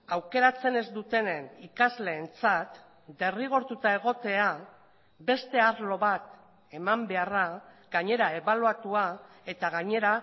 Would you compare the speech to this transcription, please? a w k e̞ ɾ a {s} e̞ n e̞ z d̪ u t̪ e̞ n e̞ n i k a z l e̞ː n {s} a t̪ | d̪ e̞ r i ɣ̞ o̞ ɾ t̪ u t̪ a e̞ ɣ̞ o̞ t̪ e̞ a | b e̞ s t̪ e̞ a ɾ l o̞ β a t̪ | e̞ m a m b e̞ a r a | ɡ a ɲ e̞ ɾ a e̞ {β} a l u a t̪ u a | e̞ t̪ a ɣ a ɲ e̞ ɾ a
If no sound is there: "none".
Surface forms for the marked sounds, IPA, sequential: t͡s, t͡s, β

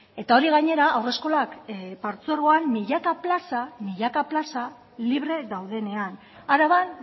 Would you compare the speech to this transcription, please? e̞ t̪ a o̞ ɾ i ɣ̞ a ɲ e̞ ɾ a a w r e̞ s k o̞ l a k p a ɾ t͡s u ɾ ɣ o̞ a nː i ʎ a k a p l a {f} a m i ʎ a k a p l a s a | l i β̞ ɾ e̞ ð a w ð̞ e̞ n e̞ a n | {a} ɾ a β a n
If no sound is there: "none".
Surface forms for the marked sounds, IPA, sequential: s, a

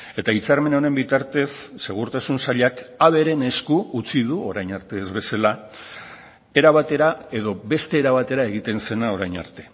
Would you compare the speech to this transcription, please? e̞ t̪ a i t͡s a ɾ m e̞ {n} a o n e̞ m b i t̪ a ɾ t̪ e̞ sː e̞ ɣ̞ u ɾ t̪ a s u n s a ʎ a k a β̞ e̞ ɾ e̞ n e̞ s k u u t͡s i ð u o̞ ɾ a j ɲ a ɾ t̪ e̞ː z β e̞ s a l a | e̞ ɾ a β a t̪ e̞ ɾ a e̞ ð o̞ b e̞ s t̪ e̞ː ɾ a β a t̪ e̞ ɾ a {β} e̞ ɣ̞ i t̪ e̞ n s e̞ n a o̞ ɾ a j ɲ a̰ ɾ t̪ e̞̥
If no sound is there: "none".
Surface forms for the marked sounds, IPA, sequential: n, none

